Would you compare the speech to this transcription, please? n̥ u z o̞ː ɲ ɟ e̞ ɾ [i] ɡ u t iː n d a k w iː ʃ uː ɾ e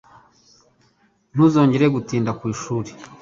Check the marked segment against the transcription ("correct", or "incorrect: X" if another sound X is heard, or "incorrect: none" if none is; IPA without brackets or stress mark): incorrect: e